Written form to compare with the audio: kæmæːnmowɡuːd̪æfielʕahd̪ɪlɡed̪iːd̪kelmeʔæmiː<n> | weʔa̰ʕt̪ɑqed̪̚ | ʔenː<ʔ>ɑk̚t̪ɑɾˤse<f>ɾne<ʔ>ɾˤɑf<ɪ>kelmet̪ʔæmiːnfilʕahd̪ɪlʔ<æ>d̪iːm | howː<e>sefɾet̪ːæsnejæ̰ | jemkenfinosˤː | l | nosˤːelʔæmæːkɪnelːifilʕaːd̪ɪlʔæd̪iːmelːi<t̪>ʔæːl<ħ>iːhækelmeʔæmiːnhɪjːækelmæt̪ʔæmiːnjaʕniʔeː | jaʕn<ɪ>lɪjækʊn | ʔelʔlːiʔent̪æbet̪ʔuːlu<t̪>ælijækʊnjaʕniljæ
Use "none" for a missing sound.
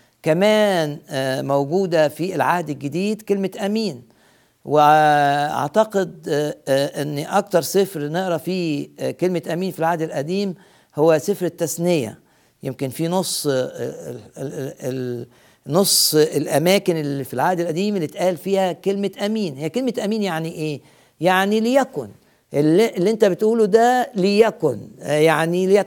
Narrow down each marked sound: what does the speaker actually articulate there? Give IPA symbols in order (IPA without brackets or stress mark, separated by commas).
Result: n, ʔ, f, ʔ, i, æ, æ, t̪, f, i, d̪